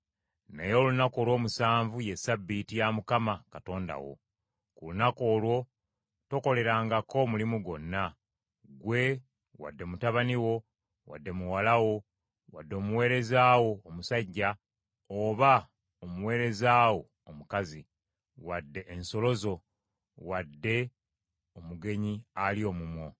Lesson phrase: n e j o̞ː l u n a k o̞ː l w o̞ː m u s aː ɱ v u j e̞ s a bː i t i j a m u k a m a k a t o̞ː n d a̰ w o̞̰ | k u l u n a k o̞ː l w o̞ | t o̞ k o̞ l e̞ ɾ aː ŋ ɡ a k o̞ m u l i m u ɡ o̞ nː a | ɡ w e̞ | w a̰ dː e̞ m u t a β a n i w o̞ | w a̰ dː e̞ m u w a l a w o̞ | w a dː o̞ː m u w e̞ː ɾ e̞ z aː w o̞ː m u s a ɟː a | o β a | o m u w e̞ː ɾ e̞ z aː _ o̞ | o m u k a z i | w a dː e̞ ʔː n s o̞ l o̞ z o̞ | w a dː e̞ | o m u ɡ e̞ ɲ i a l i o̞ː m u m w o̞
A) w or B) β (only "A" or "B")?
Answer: A